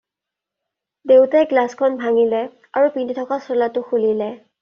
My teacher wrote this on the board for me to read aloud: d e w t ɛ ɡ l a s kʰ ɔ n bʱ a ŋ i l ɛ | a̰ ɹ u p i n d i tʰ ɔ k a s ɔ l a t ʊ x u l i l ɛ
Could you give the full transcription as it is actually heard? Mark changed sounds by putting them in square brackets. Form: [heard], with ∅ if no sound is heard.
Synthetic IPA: d e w t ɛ ɡ l a s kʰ ɔ n bʱ a ŋ i l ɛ | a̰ ɹ u p i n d i tʰ ɔ k a s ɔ l a t ʊ x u l i l ɛ